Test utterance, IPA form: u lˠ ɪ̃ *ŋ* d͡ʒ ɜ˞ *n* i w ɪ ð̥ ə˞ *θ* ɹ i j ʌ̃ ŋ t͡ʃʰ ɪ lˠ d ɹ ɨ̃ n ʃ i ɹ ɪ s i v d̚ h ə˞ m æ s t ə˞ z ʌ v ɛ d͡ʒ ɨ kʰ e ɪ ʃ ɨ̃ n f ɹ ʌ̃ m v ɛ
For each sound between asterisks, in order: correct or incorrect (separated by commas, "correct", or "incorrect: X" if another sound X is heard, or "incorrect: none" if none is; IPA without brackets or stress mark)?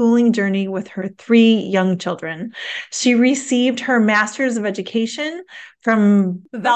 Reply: correct, correct, correct